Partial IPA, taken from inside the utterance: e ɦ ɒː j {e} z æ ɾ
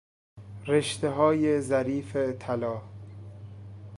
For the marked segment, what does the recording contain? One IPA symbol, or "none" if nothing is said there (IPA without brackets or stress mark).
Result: e